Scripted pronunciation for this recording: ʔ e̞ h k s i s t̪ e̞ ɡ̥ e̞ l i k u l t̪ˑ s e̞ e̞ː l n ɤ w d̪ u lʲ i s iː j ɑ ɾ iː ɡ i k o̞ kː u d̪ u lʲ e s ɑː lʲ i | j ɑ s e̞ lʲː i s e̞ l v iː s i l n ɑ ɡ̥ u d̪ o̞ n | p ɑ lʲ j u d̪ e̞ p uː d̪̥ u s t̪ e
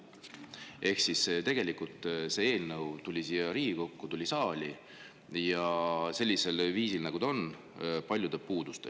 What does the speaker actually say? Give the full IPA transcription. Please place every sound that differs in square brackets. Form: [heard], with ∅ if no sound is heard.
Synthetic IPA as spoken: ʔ e̞ h k s i s t̪ e̞ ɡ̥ e̞ l i k u l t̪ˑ s e̞ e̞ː l n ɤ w [t̪] u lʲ i s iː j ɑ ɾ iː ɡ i k o̞ kː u [t̪] u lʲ [i] s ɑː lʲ i | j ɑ s e̞ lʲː i s e̞ l v iː s i l n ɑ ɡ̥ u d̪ o̞ n | p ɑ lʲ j u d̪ e̞ p uː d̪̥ u s t̪ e